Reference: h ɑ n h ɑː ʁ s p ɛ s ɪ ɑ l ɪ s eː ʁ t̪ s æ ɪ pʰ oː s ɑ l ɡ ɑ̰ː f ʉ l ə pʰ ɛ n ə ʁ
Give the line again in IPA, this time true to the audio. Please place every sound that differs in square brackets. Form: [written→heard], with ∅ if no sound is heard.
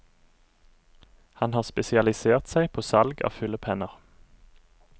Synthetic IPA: h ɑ n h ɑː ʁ s p ɛ s ɪ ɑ l ɪ s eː ʁ t̪ s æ ɪ pʰ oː s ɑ l ɡ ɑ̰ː f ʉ l ə pʰ ɛ n ə ʁ